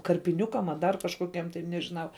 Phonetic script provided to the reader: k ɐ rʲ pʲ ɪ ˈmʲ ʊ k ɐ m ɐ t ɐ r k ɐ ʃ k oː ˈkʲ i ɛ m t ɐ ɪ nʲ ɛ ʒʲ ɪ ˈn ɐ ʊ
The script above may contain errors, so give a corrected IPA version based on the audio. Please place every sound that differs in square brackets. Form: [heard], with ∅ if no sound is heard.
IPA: k ɐ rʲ pʲ ɪ [ˈnʲ] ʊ k ɐ m ɐ [d] ɐ r k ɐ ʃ k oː ˈkʲ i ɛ m t ɐ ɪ nʲ ɛ ʒʲ ɪ ˈn ɐ ʊ